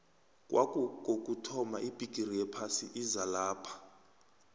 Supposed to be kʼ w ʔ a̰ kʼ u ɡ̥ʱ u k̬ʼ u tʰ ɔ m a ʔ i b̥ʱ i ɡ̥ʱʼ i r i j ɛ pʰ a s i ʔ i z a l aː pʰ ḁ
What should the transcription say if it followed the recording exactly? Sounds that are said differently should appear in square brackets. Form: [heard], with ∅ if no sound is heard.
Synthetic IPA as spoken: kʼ w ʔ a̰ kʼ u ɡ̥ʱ [o] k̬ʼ u tʰ ɔ m a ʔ i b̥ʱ i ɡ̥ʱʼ i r i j ɛ pʰ a s i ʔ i z a l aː pʰ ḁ